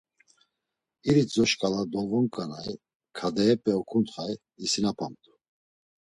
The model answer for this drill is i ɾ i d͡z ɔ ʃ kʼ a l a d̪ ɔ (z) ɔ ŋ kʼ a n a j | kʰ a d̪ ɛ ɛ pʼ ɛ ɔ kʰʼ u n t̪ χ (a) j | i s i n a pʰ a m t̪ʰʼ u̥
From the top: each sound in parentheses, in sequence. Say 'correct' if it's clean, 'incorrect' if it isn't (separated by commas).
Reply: incorrect, correct